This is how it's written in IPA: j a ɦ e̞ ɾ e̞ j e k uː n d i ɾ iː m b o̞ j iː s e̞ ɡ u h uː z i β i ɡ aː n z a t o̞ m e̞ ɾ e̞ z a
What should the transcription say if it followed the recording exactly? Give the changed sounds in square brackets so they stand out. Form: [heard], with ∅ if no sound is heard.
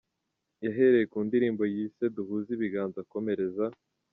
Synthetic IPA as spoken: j a ɦ e̞ ɾ e̞ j e k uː n d i ɾ iː m b o̞ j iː s e̞ [d] u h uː z i β i ɡ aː n z a [k] o̞ m e̞ ɾ e̞ z a